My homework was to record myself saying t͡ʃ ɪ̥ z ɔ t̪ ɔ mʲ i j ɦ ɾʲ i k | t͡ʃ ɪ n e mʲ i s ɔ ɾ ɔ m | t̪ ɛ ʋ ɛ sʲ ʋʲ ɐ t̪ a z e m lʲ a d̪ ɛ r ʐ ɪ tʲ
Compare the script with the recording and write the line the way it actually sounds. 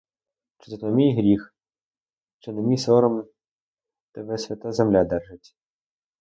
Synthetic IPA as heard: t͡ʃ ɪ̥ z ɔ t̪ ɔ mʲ i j ɦ ɾʲ i x | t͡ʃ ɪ n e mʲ i s ɔ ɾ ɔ m | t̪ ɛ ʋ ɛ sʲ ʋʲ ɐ t̪ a z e m lʲ a d̪ ɛ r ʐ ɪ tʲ